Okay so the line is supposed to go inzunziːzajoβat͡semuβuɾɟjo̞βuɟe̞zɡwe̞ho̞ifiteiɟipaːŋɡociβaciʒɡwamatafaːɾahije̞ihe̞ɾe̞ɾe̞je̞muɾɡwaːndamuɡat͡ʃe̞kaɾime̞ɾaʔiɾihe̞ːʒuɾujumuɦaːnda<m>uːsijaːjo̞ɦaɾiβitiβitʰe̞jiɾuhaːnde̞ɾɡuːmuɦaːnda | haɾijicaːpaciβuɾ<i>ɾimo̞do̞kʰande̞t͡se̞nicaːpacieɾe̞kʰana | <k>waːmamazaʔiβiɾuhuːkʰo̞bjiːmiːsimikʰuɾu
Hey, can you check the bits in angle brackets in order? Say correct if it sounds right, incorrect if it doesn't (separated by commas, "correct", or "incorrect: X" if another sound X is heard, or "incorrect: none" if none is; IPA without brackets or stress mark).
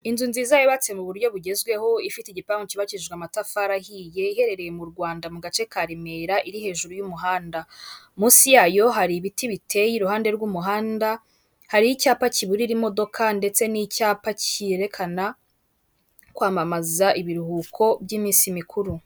correct, correct, correct